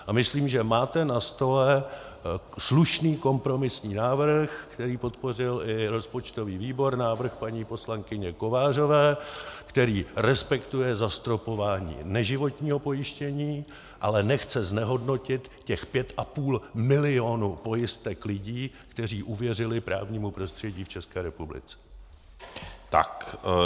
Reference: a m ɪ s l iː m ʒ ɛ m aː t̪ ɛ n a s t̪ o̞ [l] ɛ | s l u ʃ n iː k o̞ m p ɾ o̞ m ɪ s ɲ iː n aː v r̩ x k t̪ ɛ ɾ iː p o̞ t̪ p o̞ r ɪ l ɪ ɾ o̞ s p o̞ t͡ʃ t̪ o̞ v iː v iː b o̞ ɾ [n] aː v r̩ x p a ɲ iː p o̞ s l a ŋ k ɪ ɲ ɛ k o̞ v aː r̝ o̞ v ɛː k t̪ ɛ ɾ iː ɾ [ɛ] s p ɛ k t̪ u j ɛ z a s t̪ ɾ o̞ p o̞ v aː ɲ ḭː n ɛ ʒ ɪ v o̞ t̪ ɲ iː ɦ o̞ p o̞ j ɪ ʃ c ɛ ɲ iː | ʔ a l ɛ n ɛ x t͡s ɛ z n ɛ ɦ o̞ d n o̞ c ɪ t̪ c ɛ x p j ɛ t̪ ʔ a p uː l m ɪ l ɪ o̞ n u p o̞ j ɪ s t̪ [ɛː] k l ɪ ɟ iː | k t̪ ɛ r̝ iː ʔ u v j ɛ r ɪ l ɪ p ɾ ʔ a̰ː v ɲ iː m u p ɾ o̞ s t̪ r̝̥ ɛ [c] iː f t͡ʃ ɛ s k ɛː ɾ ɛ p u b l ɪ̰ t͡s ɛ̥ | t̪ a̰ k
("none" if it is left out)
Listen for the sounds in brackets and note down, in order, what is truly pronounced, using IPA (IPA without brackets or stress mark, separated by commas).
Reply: l, n, ɛ, ɛ, ɟ